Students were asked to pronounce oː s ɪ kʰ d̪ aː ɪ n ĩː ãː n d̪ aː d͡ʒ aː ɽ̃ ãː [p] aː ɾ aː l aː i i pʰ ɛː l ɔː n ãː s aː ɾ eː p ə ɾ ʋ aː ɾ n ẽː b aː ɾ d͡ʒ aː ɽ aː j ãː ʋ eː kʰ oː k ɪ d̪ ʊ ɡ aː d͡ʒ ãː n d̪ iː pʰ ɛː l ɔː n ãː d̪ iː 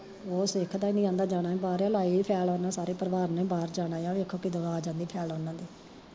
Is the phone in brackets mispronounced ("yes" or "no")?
yes